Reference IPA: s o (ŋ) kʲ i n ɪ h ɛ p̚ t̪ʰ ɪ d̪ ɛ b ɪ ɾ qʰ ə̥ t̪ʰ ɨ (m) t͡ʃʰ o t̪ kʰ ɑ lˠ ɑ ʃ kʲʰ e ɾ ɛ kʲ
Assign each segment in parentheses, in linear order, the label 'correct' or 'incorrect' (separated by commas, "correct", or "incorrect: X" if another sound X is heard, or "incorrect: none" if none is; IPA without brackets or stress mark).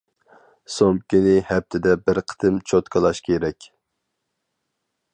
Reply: incorrect: m, correct